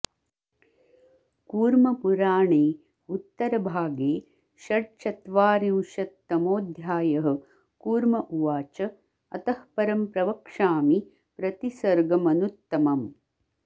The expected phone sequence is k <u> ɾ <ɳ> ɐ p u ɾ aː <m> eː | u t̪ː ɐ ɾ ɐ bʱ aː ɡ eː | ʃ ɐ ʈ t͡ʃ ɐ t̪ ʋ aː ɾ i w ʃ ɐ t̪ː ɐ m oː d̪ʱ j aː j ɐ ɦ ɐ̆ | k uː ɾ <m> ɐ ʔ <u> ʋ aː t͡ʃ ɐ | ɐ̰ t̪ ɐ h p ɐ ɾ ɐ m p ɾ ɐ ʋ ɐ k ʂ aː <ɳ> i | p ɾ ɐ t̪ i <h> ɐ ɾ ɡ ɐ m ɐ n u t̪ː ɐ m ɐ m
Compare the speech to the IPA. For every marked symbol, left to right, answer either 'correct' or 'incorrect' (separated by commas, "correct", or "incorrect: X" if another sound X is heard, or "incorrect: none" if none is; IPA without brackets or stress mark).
incorrect: uː, incorrect: m, incorrect: ɳ, correct, correct, incorrect: m, incorrect: s